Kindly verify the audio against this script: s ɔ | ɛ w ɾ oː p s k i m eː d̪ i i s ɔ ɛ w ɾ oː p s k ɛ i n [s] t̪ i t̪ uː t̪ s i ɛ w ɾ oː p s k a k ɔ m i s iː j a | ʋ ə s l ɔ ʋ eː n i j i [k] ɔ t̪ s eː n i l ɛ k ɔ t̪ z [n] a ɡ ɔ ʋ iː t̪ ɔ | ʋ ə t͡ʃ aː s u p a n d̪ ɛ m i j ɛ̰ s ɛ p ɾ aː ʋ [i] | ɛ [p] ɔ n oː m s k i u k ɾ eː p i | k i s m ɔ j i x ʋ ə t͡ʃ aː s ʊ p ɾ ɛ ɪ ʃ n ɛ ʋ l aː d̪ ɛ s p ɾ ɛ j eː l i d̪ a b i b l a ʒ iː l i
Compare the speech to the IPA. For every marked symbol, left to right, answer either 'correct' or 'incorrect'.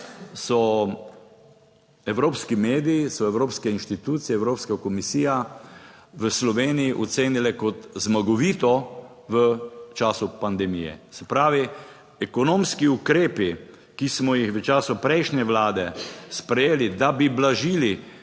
incorrect, incorrect, incorrect, correct, incorrect

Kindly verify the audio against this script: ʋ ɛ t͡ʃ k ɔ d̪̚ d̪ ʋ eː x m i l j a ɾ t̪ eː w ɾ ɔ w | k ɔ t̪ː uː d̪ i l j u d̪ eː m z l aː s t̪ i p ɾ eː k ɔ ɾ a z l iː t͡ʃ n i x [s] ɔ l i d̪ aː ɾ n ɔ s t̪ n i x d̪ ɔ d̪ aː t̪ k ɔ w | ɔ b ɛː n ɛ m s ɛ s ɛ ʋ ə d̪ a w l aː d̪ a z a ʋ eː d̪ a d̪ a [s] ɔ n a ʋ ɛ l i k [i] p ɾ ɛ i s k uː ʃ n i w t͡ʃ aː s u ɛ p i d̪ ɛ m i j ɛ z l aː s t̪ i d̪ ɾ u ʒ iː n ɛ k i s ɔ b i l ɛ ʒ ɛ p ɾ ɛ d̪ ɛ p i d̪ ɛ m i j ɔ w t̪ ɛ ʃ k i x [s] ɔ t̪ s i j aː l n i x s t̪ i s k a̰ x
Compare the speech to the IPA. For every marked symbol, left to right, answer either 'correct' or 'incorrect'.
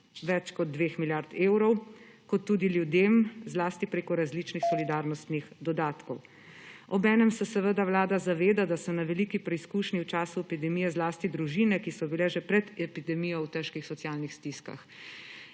correct, correct, correct, correct

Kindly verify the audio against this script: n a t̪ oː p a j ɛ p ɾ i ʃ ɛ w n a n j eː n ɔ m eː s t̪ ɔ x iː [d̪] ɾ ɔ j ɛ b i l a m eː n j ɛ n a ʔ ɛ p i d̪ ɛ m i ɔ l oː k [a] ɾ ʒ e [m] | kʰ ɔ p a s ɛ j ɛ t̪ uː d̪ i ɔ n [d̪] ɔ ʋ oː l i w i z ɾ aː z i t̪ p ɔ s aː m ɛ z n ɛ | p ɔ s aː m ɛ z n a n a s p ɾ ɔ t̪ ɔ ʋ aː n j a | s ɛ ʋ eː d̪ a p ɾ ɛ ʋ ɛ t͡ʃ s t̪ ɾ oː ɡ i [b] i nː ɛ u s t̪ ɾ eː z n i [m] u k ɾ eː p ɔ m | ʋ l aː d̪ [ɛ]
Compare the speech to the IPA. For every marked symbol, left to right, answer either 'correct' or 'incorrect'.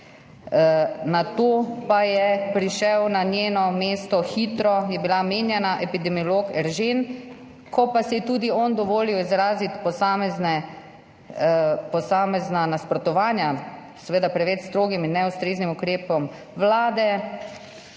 incorrect, incorrect, incorrect, correct, incorrect, correct, correct

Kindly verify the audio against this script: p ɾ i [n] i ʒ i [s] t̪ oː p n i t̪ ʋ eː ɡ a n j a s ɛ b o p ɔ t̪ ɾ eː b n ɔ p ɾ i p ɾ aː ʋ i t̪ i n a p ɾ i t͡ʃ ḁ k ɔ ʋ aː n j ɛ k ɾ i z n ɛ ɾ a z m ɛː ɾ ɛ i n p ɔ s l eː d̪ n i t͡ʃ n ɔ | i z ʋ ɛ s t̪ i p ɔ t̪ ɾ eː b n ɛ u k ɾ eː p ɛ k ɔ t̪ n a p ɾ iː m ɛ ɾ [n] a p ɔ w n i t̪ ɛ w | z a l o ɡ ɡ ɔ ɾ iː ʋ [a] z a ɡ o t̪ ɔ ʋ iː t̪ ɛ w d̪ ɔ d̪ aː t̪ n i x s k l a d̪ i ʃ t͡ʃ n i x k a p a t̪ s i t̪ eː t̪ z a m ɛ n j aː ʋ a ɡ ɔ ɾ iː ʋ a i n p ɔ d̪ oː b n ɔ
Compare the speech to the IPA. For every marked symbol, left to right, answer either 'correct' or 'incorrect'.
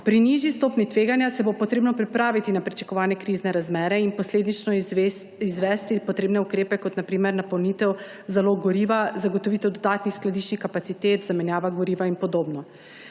correct, correct, correct, correct

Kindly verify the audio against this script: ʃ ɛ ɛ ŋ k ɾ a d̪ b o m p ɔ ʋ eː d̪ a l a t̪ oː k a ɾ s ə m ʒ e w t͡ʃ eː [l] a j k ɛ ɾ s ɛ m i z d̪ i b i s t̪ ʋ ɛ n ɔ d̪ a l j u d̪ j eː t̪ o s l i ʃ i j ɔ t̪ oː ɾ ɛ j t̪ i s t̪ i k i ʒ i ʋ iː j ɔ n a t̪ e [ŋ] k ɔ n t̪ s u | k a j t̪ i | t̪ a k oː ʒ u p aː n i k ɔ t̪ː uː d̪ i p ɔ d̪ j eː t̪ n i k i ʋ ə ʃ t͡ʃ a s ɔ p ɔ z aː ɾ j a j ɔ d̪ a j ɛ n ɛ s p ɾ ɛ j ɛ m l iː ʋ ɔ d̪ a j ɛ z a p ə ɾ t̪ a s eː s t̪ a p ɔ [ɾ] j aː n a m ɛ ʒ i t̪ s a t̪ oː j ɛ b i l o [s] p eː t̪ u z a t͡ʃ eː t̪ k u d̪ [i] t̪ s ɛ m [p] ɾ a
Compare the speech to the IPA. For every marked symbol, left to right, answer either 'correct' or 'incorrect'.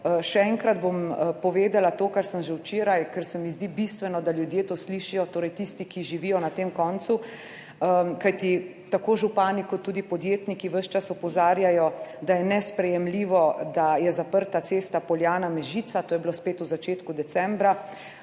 incorrect, incorrect, incorrect, correct, incorrect, incorrect

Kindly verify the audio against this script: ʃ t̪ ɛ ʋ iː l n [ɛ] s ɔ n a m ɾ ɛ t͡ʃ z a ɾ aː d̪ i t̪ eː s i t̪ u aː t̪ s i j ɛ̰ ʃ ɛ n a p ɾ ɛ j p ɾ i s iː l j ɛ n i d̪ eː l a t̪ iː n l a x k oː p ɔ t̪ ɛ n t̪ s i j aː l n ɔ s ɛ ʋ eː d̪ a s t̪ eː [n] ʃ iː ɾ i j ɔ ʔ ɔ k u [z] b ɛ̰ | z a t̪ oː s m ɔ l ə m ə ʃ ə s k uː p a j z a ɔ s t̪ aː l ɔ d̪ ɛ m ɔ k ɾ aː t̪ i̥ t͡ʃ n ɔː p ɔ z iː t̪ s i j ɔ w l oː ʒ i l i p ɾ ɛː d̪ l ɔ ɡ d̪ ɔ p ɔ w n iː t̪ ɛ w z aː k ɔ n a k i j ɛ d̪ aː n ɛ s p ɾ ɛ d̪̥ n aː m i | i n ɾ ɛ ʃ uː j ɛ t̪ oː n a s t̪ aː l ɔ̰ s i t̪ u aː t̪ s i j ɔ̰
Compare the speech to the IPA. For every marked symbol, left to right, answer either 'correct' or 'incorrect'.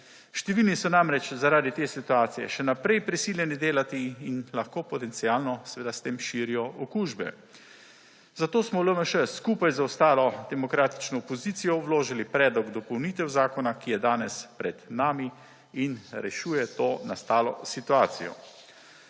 incorrect, incorrect, incorrect

